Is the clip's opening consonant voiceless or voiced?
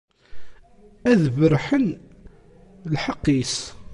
voiced